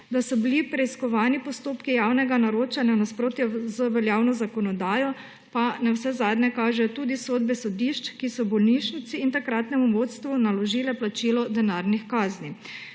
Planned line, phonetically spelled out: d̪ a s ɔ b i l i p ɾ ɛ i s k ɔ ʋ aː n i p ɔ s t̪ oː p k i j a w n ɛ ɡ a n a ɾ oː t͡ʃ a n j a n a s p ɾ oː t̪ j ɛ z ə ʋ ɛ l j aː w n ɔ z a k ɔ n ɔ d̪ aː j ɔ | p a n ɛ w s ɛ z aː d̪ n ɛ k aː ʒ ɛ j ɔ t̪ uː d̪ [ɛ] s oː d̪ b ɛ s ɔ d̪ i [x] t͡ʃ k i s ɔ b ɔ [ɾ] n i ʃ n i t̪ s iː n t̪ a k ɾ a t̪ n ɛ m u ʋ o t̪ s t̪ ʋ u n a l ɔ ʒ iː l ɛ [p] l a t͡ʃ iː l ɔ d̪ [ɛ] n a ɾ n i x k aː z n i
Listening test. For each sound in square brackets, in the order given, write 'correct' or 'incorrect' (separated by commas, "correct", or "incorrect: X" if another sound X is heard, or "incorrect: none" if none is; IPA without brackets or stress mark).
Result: incorrect: i, incorrect: ʃ, incorrect: l, correct, correct